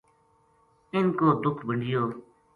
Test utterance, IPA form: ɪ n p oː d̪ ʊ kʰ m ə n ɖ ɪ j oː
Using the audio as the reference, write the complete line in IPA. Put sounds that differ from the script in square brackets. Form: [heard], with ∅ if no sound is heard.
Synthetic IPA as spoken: ɪ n [k] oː d̪ ʊ kʰ [b] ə [ɳ] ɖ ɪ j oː

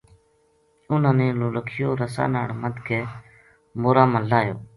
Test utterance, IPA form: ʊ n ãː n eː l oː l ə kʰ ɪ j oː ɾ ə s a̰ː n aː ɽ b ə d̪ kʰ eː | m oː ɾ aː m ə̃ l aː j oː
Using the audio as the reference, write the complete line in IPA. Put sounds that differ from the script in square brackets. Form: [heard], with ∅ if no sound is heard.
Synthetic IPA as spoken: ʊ n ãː n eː l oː l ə kʰ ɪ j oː ɾ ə s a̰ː n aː ɽ [m] ə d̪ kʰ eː | m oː ɾ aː m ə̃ l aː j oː

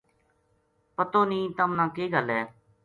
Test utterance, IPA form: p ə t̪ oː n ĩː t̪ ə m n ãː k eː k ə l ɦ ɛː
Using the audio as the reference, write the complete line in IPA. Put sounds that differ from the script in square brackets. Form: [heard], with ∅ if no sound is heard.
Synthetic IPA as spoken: p ə t̪ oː n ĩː t̪ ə m n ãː k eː [ɡ] ə l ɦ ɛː

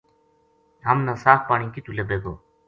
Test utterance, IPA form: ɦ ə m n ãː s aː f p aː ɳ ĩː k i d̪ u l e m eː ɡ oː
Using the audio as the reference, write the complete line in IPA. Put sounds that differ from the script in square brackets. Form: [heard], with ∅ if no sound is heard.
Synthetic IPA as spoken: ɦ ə m n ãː s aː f p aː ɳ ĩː k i [t̪] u l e [b] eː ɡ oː

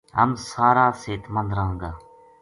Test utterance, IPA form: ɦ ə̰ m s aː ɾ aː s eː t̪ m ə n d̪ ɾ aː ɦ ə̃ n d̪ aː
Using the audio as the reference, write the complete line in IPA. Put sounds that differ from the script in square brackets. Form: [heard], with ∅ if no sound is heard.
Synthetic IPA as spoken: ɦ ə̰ m s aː ɾ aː s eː t̪ m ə n d̪ ɾ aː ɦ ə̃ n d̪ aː

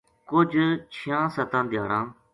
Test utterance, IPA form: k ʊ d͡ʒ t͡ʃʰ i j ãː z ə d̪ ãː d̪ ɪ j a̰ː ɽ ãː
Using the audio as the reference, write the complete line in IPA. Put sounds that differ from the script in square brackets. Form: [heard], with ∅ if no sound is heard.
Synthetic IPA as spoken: k ʊ d͡ʒ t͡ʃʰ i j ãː [s] ə [t̪] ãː d̪ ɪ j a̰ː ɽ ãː

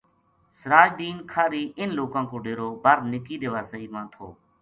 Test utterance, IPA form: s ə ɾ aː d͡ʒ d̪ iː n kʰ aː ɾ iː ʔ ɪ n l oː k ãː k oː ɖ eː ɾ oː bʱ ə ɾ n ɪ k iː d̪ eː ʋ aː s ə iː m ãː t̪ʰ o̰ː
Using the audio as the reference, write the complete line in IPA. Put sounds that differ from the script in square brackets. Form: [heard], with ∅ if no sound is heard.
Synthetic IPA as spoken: s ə ɾ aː d͡ʒ d̪ iː n kʰ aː ɾ iː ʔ ɪ n l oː k ãː k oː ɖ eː ɾ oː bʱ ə ɾ n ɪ k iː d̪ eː ʋ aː s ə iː m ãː t̪ʰ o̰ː

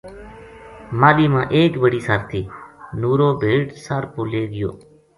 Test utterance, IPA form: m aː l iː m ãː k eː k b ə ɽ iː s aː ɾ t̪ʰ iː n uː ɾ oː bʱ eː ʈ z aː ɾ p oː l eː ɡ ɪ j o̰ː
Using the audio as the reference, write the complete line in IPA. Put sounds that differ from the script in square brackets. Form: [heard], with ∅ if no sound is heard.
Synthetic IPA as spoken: m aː l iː m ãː [ʔ] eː k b ə ɽ iː s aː ɾ t̪ʰ iː n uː ɾ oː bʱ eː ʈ [s] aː ɾ p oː l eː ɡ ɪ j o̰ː

